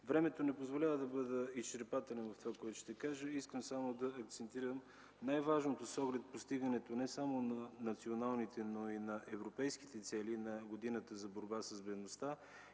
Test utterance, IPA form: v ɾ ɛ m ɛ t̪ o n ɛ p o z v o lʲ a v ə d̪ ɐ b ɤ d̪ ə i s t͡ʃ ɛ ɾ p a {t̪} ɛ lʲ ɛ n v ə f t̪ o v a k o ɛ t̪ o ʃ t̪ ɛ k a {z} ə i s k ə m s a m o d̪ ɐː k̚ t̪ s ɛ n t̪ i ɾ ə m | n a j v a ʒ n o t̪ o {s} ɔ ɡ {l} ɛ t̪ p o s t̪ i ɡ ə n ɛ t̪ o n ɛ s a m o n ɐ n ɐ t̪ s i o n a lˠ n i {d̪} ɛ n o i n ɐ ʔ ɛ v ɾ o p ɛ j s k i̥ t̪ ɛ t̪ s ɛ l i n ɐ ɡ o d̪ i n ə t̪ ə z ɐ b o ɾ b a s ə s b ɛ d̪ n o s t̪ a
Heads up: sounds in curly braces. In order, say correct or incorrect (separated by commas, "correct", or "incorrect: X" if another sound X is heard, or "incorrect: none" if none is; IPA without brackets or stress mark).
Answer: correct, incorrect: ʒ, correct, correct, incorrect: t̪